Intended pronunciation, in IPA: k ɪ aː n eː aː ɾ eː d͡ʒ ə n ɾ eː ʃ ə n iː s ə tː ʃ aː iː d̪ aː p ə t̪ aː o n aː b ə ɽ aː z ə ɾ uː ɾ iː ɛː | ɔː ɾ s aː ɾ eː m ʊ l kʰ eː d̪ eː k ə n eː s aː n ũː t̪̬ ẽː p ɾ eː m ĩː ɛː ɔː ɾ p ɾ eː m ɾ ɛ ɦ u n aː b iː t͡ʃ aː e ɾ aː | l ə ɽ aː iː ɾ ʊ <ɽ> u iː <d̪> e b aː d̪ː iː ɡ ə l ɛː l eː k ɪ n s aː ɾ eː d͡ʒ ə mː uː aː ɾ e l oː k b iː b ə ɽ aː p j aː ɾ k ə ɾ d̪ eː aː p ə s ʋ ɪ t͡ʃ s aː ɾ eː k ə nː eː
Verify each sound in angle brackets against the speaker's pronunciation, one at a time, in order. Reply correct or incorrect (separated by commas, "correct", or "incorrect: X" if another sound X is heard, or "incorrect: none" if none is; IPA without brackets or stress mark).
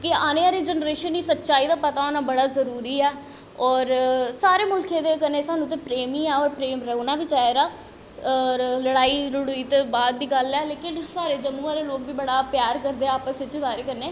correct, incorrect: t̪